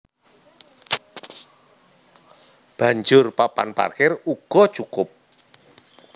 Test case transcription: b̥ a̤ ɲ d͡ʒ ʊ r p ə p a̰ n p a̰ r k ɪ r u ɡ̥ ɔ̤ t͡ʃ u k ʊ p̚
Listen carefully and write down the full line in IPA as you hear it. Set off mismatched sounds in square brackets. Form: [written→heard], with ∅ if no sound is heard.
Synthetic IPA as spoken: b̥ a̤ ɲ d͡ʒ ʊ r p [ə→a] p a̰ n p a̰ r k ɪ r u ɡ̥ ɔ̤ t͡ʃ u k ʊ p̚